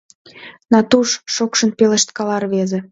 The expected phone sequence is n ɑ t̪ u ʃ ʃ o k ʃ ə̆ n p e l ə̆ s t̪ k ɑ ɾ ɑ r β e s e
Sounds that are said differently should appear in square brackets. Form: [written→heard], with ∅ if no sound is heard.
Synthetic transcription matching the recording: n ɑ t̪ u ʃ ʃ o k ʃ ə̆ n p e l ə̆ [s→ʃ] t̪ k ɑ [ɾ→l] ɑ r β e [s→z] e